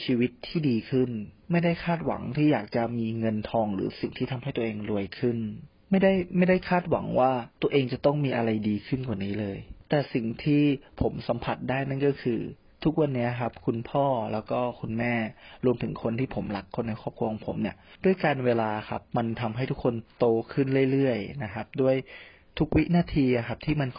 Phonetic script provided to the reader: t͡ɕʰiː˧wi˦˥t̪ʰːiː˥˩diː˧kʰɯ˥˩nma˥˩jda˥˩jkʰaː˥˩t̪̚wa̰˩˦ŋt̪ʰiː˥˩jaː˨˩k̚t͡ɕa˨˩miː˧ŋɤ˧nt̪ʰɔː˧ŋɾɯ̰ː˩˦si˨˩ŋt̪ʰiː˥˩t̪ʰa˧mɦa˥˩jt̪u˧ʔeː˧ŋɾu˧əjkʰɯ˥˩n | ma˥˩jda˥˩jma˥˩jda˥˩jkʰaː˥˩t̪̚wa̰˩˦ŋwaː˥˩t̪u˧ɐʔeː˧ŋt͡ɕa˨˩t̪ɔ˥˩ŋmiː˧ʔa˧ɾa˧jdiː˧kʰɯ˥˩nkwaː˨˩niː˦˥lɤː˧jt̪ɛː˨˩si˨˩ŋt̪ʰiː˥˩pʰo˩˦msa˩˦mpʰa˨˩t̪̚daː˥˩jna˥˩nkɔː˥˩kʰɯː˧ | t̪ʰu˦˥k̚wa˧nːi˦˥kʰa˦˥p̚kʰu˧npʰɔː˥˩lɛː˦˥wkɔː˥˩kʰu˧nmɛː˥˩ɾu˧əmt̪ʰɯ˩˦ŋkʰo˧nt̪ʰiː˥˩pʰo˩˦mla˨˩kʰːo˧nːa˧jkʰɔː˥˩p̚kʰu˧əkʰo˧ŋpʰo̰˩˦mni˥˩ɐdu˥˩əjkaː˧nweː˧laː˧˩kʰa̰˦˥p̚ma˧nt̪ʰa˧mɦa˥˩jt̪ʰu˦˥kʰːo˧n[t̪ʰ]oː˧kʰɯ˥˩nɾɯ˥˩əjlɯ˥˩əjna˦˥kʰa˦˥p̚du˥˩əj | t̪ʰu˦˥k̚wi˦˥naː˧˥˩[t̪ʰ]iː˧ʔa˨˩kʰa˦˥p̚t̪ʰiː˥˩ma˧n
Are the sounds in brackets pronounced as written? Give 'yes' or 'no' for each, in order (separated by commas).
no, yes